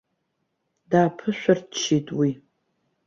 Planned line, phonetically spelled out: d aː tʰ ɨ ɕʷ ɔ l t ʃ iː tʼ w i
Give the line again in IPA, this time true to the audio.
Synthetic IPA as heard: d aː pʰ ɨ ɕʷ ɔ r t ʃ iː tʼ w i